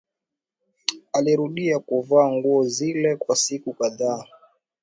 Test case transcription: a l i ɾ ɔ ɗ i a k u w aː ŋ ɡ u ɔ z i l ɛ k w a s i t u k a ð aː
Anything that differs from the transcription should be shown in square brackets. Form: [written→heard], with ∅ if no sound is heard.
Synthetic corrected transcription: a l i ɾ [ɔ→u] ɗ i a k u [w→v] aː ŋ ɡ u ɔ z i l ɛ k w a s i [t→k] u k a ð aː